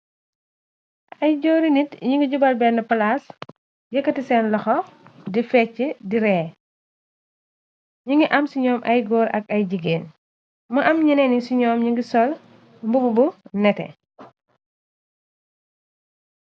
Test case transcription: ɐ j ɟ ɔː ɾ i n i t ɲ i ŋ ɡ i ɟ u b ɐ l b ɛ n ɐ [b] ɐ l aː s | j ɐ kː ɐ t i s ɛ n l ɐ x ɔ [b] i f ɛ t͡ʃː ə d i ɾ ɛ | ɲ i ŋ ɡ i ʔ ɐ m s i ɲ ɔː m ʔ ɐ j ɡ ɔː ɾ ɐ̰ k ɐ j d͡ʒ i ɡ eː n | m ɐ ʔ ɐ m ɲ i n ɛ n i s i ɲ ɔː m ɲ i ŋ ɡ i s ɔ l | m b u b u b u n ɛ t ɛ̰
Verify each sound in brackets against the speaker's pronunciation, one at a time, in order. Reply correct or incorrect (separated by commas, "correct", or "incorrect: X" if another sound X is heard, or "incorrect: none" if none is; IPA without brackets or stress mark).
incorrect: p, incorrect: d